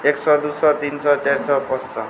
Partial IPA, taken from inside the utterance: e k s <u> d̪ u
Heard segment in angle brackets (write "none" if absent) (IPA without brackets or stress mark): ɔ